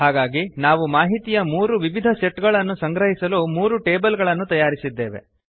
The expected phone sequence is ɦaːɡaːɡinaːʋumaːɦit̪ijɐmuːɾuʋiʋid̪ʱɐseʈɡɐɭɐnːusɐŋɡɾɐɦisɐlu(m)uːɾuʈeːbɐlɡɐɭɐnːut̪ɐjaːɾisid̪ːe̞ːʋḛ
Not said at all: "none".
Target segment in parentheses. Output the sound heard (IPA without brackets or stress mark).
m